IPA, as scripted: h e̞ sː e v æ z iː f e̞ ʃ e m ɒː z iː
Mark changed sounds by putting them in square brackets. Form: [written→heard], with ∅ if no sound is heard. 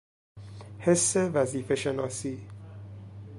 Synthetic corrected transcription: h e̞ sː e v æ z iː f e̞ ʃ e [m→n] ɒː [z→s] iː